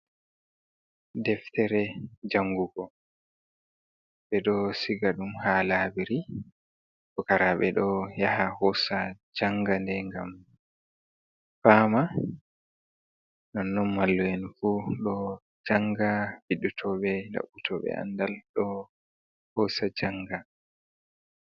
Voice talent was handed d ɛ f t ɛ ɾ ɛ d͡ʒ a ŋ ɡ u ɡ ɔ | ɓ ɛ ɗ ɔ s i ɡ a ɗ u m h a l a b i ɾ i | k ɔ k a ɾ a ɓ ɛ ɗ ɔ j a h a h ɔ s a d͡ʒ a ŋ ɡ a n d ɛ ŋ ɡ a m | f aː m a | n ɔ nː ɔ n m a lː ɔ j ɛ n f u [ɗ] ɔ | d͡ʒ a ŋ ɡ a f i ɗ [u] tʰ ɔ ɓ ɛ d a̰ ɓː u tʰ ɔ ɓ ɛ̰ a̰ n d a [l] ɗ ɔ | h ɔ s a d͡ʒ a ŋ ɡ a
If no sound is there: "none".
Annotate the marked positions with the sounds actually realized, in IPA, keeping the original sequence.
ɗ, u, l

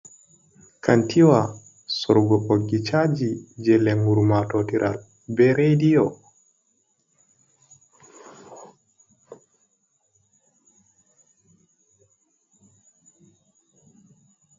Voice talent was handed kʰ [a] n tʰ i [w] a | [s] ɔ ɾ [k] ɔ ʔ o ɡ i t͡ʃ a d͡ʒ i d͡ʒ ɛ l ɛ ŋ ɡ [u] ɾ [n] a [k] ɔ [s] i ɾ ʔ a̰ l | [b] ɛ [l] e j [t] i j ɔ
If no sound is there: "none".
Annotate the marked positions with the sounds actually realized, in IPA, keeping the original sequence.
a, w, s, ɡ, u, m, t, t, b, ɾ, d

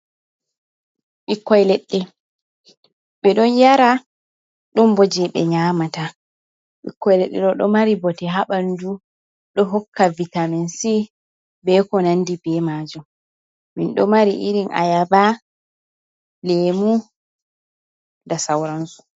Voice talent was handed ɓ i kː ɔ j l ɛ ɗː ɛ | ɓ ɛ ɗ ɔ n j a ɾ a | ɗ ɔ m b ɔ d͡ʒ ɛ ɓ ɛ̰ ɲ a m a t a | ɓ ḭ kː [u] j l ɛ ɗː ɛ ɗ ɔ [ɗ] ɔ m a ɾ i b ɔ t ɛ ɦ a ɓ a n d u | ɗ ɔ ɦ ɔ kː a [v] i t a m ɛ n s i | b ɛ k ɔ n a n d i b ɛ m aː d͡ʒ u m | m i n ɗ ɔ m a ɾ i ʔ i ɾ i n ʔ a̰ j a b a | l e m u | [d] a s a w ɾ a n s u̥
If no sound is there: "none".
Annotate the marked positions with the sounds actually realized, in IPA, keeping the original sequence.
ɔ, ɗ, v, d

